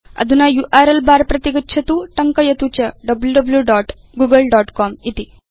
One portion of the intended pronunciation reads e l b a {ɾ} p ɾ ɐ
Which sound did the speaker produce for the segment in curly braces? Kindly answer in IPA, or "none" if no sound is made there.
ɾ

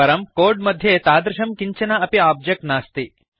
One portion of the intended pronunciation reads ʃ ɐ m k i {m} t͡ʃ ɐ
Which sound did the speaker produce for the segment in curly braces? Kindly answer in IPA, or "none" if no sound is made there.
ɲ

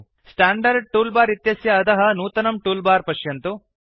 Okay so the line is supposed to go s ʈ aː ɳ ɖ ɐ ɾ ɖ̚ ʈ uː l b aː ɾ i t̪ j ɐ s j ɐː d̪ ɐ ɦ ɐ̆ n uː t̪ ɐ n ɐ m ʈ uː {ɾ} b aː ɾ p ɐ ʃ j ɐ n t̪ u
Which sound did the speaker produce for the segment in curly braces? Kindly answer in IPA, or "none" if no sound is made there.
l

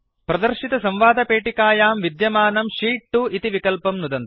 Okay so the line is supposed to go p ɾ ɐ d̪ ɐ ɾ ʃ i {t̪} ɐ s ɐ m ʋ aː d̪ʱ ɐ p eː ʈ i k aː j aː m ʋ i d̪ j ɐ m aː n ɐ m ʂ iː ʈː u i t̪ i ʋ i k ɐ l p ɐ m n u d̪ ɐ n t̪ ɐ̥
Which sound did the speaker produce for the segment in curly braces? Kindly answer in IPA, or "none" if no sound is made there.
t̪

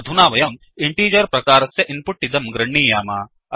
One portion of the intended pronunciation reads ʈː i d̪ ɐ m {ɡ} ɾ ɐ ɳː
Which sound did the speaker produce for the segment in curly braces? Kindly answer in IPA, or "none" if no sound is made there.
ɡ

